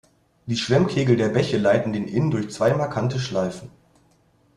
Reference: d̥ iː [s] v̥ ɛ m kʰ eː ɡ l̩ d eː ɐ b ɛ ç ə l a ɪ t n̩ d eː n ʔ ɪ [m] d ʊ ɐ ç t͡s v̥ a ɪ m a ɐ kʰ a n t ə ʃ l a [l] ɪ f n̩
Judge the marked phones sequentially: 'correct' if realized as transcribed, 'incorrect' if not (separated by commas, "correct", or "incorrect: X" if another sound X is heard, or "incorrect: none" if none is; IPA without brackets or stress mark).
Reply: incorrect: ʃ, incorrect: n, incorrect: none